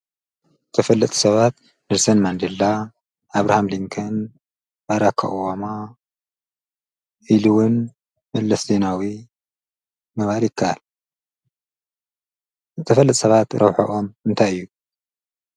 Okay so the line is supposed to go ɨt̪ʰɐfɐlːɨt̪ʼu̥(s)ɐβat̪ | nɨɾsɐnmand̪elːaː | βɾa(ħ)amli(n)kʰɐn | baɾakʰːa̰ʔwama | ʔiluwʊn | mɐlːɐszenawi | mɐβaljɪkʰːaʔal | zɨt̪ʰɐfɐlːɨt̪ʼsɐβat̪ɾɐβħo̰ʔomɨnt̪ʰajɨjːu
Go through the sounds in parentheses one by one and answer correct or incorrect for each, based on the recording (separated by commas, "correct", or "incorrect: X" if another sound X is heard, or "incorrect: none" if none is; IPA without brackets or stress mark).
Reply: correct, incorrect: h, incorrect: ŋ